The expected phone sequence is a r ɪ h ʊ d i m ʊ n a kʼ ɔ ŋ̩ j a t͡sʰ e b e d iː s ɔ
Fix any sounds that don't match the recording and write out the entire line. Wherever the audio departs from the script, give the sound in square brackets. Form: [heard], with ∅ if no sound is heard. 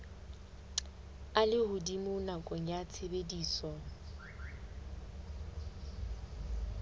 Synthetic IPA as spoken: a [l] ɪ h ʊ d i m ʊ n a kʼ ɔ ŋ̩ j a t͡sʰ e b e d iː s ɔ